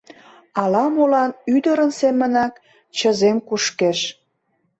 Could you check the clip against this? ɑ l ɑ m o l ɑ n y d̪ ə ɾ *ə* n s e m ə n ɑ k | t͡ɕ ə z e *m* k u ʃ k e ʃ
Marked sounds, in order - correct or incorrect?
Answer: correct, correct

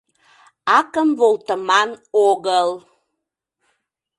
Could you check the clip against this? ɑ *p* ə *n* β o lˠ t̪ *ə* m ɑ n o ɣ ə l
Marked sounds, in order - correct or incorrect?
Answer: incorrect: k, incorrect: m, correct

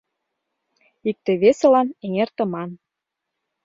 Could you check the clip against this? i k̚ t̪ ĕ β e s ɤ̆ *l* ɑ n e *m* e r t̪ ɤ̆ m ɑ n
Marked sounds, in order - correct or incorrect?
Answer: correct, incorrect: ŋ

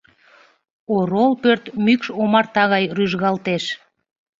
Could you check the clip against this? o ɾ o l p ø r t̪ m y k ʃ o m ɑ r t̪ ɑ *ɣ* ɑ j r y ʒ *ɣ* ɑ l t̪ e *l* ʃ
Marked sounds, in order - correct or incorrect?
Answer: correct, correct, incorrect: none

